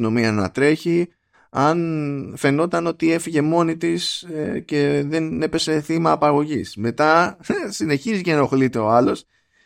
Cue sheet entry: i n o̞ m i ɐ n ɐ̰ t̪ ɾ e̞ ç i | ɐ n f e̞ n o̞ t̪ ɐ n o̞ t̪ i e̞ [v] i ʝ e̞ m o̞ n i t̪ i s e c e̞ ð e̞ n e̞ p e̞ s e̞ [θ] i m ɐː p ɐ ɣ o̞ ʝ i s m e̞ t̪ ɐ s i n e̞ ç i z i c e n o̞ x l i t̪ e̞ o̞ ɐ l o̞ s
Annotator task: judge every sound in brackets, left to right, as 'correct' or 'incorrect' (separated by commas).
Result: incorrect, correct